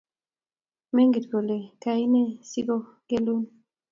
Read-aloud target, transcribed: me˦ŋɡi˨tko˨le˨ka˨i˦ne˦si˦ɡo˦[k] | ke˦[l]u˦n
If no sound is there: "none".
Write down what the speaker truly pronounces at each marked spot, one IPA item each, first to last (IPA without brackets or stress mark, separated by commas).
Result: none, l